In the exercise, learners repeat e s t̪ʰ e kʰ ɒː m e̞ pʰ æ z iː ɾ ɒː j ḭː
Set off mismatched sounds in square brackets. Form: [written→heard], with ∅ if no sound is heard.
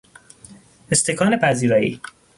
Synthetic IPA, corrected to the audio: e s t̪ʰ e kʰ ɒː [m→n] e̞ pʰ æ z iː ɾ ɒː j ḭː